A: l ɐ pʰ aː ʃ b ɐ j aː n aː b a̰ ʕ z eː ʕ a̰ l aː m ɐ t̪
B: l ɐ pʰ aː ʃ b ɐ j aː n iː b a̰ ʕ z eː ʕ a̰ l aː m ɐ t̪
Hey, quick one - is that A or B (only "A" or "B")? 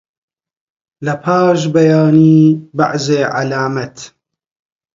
B